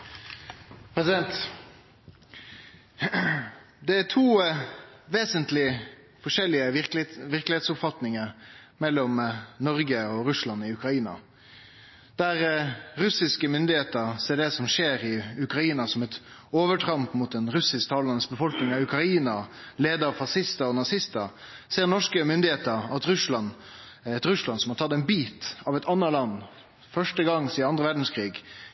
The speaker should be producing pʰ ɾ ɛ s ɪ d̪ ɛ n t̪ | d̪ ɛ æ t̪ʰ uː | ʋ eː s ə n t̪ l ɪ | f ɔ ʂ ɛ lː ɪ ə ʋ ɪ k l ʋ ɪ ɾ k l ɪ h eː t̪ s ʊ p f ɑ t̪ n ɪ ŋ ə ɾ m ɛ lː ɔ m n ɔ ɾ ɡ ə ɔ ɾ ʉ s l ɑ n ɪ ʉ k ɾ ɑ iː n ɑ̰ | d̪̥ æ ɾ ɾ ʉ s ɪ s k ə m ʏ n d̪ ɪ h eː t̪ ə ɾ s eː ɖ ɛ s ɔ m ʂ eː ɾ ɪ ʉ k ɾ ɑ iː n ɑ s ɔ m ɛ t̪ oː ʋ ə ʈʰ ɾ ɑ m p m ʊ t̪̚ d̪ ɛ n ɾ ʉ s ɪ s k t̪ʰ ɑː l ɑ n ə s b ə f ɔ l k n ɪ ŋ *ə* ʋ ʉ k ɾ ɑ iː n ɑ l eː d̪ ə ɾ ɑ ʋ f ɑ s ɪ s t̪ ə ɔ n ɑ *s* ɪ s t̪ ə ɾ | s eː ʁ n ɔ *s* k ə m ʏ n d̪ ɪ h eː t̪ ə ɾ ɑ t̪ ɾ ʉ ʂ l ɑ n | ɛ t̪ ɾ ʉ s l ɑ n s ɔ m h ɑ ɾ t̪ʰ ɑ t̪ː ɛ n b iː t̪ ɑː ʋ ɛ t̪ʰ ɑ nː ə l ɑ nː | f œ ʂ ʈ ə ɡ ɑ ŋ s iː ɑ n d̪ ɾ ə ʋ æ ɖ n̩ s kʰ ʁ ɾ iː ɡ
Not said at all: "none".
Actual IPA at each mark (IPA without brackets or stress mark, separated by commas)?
ɑ, s, ʂ